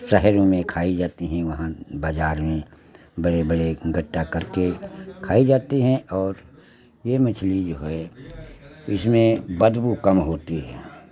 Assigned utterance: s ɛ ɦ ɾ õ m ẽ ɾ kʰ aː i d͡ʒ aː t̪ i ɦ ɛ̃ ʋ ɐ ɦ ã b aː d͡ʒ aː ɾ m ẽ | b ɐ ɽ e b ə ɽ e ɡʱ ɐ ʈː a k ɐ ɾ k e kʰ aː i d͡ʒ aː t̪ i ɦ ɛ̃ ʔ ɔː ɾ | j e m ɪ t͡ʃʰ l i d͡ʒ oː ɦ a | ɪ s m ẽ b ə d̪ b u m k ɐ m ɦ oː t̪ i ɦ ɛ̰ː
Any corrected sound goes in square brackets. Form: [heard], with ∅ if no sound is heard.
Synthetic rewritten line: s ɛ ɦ ɾ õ m ẽ [∅] kʰ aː i d͡ʒ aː t̪ i ɦ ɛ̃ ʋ ɐ ɦ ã b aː d͡ʒ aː ɾ m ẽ | b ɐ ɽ e b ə ɽ e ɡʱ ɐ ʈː a k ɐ ɾ k e kʰ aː i d͡ʒ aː t̪ i ɦ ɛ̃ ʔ ɔː ɾ | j e m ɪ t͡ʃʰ l i d͡ʒ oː ɦ [ɛ] | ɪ s m ẽ b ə d̪ b u [∅] k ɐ m ɦ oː t̪ i ɦ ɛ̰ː